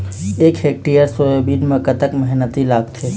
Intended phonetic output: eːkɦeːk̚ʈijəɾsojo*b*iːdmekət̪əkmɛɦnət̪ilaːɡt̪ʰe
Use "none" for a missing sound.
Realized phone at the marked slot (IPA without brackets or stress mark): b